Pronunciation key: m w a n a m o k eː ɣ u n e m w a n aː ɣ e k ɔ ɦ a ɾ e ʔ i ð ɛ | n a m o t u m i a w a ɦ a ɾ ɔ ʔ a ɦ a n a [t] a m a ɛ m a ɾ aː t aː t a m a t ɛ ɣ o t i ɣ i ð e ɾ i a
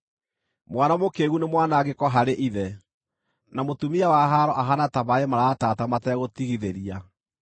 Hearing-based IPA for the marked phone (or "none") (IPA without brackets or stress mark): t